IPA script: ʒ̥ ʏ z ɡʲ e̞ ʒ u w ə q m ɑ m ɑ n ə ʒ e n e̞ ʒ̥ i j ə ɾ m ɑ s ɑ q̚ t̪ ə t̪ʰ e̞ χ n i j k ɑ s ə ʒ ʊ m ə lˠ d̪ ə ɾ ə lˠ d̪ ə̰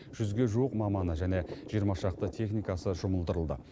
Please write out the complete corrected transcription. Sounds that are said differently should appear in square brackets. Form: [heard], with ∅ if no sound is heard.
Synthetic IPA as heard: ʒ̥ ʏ z ɡʲ e̞ ʒ u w ə q m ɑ m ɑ n ə ʒ [æ] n e̞ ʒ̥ i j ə ɾ m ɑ [ʃ] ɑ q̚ t̪ ə t̪ʰ e̞ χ n i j k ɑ s ə ʒ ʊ m ə lˠ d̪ ə ɾ ə lˠ d̪ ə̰